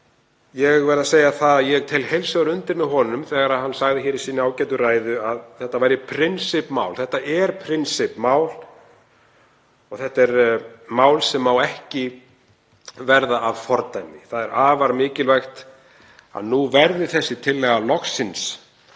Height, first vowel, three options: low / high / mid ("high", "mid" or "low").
mid